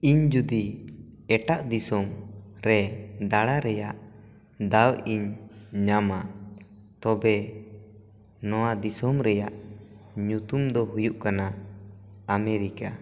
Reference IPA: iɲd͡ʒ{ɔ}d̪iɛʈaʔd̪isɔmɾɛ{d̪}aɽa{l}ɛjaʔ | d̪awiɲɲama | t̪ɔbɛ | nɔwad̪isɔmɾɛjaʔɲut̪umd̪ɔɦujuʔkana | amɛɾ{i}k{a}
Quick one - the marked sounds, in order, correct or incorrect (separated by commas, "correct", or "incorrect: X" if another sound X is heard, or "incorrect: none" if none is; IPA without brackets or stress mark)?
incorrect: u, correct, incorrect: ɾ, correct, correct